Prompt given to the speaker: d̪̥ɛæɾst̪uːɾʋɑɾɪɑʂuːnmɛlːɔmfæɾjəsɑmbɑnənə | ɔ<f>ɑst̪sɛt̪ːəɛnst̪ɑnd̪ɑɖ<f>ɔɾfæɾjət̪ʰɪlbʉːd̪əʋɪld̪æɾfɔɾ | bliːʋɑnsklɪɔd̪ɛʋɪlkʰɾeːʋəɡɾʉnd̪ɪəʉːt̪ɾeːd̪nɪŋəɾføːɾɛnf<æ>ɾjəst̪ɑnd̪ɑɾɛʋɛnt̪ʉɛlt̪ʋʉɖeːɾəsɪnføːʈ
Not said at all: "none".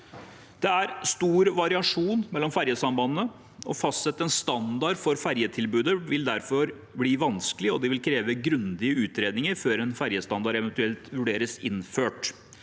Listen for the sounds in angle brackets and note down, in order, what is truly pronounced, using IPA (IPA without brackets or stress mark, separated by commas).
f, f, æ